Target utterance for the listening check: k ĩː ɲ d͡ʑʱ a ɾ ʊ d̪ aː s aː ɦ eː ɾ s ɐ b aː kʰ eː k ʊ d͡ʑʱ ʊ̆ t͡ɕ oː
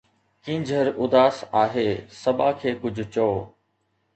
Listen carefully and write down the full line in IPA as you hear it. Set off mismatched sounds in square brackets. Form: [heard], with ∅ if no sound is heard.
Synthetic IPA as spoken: k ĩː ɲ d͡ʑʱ [ə] ɾ ʊ d̪ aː s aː ɦ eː [∅] s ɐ b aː kʰ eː k ʊ d͡ʑʱ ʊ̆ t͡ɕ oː